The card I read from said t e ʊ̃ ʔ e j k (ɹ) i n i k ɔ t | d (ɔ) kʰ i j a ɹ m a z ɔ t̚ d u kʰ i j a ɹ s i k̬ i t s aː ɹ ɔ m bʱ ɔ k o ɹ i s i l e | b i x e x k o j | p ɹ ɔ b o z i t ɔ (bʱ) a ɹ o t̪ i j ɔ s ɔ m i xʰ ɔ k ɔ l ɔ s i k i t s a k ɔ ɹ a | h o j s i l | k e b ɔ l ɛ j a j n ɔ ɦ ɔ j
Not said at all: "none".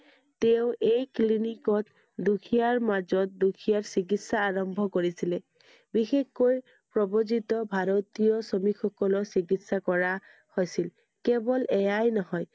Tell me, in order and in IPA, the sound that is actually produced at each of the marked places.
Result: l, u, bʱ

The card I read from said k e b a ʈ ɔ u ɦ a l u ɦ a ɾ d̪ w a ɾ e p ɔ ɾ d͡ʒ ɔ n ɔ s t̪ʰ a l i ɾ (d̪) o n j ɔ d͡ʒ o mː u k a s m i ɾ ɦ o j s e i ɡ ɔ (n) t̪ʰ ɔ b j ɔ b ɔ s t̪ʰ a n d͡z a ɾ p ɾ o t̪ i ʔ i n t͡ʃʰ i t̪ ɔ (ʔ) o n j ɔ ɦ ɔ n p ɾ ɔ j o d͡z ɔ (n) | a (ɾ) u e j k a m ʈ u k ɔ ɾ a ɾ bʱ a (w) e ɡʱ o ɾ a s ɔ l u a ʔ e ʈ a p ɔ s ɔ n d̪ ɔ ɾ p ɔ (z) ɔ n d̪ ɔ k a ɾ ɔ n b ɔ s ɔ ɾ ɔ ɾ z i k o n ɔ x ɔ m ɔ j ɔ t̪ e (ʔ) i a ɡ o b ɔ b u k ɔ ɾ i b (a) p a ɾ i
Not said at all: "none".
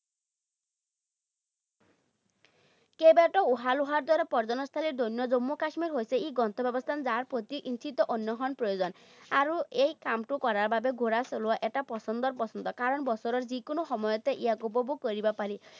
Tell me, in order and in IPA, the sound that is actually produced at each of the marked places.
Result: d̪, n, ʔ, n, ɾ, b, s, ʔ, a

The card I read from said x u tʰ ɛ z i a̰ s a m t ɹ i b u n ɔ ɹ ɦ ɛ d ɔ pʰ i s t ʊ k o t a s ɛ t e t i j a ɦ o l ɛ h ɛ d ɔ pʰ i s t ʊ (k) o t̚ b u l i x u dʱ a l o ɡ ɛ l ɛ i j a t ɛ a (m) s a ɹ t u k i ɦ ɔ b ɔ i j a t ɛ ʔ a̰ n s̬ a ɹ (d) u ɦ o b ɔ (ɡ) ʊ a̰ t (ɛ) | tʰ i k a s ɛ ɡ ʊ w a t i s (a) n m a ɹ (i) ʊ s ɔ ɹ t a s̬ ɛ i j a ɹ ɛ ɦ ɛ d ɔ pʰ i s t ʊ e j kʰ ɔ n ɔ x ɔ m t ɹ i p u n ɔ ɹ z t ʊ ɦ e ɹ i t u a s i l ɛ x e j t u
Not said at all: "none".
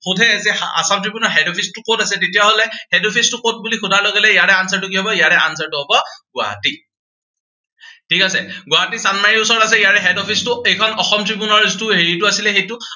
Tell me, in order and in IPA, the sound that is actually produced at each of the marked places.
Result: k, n, t, ɡ, i, a, i

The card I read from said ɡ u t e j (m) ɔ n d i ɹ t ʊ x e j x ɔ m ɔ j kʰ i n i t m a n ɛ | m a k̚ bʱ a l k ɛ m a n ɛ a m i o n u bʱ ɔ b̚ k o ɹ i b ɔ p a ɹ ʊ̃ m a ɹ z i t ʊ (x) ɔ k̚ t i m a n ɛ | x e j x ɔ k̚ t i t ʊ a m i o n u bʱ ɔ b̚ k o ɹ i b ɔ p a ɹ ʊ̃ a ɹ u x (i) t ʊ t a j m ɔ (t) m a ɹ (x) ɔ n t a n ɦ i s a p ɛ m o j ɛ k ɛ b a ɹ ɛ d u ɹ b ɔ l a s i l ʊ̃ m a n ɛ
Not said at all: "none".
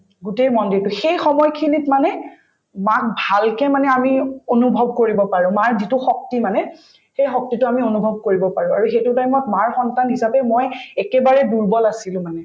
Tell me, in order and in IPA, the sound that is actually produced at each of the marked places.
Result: m, x, e, t, x

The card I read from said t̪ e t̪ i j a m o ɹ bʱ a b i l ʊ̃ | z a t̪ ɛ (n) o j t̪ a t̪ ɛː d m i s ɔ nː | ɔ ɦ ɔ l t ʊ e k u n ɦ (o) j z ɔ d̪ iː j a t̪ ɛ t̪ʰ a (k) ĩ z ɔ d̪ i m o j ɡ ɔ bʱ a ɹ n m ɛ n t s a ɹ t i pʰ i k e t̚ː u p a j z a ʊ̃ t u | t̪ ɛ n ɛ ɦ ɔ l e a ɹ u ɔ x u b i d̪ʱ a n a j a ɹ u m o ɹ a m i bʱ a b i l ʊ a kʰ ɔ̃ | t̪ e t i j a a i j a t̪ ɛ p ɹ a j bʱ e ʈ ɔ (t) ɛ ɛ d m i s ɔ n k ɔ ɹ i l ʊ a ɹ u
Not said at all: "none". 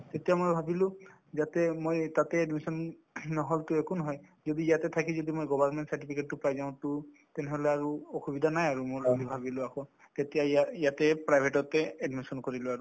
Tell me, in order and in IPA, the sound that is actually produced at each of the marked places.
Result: m, ɔ, k, t

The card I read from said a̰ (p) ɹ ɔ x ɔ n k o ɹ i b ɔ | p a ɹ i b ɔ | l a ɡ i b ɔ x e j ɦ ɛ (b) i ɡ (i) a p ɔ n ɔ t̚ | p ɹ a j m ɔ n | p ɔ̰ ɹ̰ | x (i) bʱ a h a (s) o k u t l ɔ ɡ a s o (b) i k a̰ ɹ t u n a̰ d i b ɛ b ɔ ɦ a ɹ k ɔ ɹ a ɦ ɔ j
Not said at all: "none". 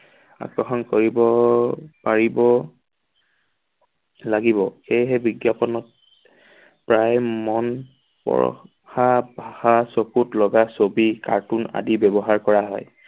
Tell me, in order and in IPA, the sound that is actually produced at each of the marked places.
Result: k, b, j, a, s, b

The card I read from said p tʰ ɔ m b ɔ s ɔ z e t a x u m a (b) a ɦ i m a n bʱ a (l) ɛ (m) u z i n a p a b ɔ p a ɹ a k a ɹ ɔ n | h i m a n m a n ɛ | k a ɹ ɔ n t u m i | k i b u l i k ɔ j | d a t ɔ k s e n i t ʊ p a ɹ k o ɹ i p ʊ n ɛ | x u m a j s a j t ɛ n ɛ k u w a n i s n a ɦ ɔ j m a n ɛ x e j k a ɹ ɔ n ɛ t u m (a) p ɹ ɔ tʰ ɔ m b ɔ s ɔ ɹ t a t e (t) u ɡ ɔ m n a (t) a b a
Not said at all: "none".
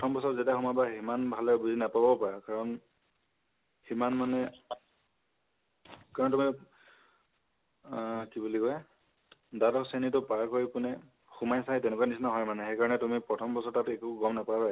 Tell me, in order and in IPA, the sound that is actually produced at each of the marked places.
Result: b, l, b, i, k, p

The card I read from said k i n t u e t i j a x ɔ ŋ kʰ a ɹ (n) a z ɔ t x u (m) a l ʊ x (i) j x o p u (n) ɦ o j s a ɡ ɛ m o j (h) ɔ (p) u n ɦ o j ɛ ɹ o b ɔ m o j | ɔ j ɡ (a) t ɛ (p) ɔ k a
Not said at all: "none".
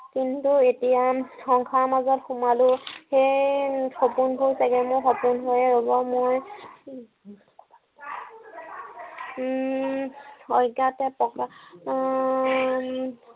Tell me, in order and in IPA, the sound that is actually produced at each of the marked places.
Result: m, m, e, n, x, p, a, p

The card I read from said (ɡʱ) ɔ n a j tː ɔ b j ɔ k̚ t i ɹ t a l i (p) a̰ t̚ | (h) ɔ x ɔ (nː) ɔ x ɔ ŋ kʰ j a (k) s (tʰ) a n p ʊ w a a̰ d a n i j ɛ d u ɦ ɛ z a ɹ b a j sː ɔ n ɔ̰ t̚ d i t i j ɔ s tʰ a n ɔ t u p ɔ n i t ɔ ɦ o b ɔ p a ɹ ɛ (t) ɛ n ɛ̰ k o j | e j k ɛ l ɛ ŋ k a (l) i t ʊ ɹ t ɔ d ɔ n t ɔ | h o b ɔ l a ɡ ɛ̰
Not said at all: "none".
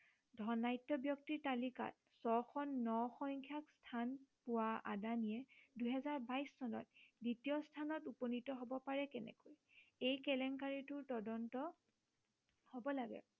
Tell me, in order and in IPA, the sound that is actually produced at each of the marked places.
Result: dʱ, k, s, nː, k, tʰ, k, ɹ

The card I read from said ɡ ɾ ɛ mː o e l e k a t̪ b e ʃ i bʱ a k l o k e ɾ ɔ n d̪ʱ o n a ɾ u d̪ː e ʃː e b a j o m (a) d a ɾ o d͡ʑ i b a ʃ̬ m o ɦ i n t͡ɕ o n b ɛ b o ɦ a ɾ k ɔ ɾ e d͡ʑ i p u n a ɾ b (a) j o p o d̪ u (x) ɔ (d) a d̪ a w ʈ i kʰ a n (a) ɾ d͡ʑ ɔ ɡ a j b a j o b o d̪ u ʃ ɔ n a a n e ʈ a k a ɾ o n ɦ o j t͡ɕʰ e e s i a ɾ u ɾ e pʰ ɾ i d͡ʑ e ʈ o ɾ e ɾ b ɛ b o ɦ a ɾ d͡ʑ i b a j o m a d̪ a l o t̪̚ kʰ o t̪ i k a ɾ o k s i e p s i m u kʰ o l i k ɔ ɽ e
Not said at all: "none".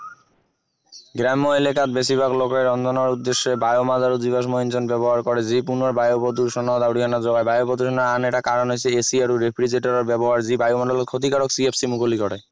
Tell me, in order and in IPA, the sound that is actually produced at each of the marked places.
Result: a, a, ʃ, n, a

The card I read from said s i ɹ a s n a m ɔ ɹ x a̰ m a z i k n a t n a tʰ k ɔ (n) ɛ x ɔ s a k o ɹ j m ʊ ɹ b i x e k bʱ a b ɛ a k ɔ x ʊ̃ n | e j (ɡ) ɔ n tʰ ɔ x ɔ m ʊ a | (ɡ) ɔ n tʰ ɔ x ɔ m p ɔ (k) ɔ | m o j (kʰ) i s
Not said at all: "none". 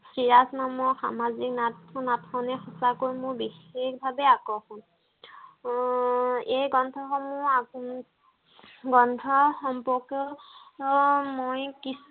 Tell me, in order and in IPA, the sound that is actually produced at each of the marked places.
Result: n, ɡ, ɡ, k, k

